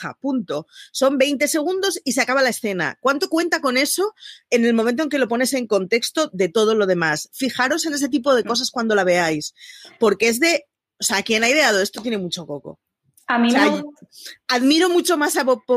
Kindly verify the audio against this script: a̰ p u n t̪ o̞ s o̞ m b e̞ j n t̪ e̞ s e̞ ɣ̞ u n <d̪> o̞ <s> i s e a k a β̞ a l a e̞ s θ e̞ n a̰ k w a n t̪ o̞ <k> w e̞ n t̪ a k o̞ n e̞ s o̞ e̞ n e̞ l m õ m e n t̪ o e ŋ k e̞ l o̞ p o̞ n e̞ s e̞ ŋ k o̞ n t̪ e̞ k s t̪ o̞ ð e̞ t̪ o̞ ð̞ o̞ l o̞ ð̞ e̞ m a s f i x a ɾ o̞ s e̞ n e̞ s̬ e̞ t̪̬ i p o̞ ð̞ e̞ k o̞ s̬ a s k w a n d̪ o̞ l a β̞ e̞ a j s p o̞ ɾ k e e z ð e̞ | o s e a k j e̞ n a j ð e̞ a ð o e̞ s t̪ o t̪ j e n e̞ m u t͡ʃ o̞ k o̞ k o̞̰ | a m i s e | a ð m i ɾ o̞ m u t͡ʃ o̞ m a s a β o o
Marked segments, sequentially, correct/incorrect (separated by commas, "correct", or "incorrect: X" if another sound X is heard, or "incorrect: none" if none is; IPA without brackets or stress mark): correct, correct, correct